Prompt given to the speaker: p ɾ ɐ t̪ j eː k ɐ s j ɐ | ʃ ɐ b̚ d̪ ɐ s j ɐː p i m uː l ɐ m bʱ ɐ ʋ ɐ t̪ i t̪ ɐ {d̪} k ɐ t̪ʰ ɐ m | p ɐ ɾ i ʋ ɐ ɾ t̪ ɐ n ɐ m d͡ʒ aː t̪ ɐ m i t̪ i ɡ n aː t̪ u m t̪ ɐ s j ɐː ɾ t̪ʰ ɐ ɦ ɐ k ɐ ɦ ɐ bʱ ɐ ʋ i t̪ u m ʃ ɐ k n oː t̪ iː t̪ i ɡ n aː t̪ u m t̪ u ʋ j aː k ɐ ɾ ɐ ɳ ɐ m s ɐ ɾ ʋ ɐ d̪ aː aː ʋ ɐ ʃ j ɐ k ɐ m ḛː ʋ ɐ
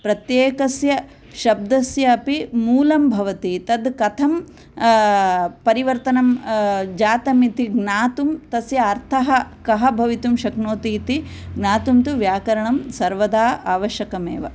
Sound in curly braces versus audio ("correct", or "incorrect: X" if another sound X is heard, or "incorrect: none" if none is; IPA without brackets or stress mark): correct